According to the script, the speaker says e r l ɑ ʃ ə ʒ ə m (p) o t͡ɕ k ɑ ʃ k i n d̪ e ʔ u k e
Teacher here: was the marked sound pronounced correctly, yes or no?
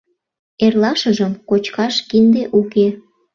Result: no